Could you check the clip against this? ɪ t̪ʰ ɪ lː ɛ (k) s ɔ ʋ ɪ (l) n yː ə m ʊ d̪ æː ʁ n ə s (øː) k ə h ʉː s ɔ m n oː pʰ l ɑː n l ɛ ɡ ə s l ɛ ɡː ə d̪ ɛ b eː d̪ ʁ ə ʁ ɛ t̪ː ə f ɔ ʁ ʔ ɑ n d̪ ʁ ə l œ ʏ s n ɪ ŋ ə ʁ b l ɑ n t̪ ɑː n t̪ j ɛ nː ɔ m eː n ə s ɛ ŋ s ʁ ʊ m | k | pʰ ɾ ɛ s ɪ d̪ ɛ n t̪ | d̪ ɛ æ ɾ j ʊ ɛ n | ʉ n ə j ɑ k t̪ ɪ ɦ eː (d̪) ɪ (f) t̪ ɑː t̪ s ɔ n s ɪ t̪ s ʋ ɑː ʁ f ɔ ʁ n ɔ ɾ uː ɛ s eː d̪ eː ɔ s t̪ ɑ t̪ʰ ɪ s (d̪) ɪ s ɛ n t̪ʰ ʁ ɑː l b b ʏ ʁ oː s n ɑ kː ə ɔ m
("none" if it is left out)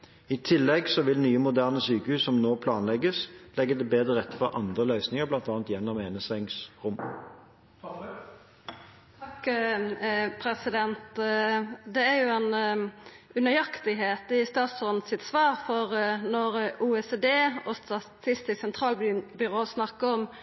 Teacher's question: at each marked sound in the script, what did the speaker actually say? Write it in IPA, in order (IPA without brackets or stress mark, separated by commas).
ɡ, l, yː, t̪, s, t̪